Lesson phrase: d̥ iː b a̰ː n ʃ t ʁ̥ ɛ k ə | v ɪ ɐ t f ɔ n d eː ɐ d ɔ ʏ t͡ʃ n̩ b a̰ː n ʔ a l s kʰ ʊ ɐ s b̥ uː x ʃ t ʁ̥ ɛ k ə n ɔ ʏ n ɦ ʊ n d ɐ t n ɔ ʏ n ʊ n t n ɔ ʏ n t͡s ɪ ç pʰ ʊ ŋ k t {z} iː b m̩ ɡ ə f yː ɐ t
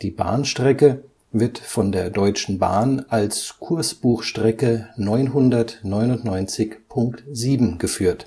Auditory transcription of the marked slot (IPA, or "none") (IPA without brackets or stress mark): z